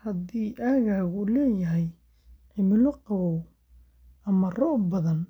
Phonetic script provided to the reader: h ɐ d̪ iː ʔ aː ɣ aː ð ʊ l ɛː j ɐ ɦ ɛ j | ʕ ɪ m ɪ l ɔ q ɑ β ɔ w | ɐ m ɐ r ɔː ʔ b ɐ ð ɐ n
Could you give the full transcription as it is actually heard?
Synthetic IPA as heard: h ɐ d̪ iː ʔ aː ɣ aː ɣ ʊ l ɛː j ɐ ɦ ɛ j | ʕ ɪ m ɪ l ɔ q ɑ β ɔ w | ɐ m ɐ r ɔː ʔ b ɐ ð ɐ n